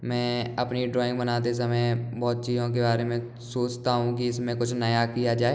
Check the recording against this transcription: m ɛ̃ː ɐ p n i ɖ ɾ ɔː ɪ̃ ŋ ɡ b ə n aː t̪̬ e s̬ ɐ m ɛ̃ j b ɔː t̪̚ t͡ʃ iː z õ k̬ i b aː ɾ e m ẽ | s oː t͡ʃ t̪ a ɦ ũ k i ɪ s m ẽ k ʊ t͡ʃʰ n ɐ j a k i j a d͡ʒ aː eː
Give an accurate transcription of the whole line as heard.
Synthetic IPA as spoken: m ɛ̃ː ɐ p n i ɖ ɾ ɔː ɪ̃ ŋ ɡ b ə n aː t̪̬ e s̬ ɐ m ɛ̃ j b ɔː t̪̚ t͡ʃ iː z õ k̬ e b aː ɾ e m ẽ | s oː t͡ʃ t̪ a ɦ ũ k i ɪ s m ẽ k ʊ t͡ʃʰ n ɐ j a k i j a d͡ʒ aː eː